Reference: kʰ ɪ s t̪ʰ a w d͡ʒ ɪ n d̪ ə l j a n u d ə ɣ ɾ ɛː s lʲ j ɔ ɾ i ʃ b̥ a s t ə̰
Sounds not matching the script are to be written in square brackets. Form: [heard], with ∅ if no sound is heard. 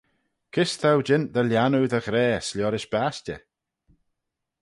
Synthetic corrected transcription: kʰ ɪ s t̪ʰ a w d͡ʒ ɪ n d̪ ə l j a n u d ə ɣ ɾ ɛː s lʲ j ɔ ɾ [ɪ] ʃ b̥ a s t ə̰